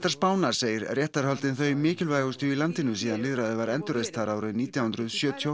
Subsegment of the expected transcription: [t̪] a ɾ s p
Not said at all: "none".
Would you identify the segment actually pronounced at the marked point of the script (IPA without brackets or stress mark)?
t̪